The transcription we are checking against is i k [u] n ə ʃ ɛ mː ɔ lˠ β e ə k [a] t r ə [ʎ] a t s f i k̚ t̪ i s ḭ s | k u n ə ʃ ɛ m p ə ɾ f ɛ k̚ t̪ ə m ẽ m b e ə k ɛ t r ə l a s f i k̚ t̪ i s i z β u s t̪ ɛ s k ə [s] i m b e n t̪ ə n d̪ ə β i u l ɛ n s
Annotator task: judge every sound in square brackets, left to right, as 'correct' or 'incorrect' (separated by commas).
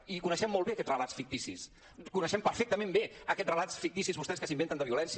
correct, incorrect, incorrect, correct